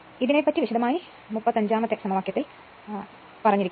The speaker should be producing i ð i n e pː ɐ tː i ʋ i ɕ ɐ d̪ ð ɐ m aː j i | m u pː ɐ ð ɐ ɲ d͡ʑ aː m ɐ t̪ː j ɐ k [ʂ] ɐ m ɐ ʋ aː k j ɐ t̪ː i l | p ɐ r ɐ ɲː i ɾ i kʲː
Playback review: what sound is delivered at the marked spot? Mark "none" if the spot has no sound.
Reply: s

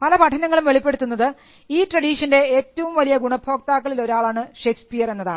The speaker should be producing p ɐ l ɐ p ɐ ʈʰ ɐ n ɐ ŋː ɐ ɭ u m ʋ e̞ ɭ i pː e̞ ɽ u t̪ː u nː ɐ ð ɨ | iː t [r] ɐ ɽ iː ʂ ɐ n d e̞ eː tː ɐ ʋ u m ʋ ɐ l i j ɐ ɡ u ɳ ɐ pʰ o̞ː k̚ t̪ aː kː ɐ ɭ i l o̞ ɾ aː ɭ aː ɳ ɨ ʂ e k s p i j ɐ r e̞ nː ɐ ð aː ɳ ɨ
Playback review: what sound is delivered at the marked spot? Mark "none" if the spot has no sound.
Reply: r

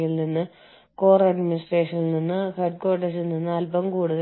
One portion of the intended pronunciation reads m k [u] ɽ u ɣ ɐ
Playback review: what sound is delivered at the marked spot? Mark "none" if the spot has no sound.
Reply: uː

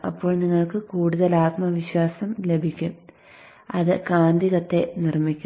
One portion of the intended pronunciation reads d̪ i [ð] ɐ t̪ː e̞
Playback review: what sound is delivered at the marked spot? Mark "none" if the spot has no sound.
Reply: ɣ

